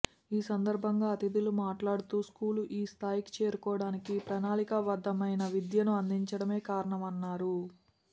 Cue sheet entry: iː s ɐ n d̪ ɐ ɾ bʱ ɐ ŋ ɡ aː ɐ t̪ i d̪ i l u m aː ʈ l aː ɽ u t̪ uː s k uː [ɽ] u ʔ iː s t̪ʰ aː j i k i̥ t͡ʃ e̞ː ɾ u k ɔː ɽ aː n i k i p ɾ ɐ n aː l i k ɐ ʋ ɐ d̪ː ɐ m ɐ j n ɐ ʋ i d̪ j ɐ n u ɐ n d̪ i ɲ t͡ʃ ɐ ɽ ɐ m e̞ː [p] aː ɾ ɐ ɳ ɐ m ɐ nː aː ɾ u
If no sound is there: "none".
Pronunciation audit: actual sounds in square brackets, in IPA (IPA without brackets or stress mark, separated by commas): l, k